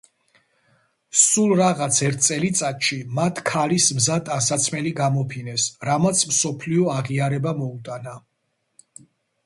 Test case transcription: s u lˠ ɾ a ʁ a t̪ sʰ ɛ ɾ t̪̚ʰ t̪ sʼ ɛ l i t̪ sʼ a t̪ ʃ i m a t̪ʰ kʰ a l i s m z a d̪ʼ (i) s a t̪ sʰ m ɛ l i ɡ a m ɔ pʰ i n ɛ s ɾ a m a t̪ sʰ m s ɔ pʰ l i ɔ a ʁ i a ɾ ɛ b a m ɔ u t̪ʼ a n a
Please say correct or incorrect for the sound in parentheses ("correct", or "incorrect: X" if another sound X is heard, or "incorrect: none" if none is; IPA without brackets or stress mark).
incorrect: a